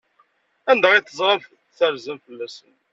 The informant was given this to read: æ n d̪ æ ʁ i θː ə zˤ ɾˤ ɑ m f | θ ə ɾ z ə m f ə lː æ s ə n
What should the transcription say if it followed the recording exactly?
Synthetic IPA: æ n d̪ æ ʁ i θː ə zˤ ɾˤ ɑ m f | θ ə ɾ z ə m f ə lː æ s ə n